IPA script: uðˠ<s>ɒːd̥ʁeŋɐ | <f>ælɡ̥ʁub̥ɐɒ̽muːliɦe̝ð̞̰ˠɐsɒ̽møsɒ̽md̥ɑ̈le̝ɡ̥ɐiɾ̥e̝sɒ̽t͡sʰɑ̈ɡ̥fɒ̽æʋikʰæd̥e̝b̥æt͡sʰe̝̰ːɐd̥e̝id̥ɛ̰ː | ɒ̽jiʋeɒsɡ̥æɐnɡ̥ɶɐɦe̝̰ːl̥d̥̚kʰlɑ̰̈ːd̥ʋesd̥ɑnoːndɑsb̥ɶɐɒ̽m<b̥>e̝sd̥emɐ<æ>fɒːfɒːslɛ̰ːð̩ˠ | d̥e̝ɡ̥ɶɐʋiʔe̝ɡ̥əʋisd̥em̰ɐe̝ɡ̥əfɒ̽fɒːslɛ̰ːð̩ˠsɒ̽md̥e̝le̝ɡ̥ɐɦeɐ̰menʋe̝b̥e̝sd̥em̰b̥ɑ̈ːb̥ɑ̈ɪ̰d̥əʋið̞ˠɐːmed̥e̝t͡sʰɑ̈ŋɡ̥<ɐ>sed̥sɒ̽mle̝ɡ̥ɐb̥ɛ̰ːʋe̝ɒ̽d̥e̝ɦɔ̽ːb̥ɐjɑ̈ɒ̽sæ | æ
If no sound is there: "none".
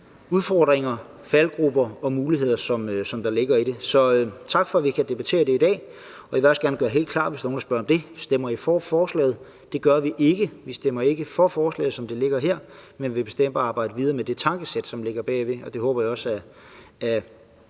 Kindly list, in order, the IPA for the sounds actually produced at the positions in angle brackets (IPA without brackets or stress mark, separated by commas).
f, f, d̥, i, ə